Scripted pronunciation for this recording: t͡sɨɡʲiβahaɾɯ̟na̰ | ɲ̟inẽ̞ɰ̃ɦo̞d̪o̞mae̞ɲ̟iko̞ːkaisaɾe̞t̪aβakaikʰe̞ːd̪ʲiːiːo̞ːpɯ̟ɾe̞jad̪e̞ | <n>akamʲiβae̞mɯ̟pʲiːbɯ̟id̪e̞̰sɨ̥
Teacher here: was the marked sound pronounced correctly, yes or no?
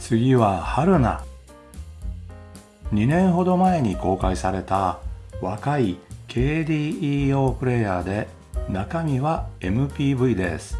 yes